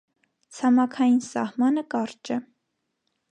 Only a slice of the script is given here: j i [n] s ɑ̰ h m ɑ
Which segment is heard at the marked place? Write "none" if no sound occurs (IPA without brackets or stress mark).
n